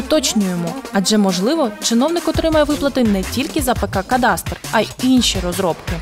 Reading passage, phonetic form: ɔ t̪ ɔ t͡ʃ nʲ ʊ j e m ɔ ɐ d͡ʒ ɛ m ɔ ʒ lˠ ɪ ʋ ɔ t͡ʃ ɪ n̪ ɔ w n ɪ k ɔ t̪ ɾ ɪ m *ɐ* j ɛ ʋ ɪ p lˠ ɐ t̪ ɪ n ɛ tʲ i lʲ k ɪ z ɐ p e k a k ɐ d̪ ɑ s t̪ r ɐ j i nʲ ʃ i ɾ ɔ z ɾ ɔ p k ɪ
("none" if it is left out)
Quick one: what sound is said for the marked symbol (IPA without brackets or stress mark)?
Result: ɐ